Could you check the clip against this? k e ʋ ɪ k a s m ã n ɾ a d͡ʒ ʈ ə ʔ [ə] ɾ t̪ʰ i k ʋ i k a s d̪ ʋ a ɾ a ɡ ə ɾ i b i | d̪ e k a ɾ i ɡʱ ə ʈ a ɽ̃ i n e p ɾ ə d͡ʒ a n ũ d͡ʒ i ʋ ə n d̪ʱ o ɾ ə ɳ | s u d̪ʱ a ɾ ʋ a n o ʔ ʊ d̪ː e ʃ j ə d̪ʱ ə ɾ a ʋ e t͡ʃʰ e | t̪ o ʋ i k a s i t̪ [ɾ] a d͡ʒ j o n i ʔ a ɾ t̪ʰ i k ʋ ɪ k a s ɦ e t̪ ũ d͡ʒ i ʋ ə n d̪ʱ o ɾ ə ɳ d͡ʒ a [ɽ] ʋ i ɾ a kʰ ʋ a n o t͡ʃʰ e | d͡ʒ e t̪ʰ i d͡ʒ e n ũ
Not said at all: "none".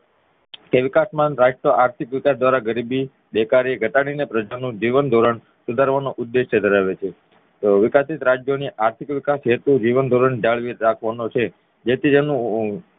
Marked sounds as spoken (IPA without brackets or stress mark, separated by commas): a, ɾ, ɭ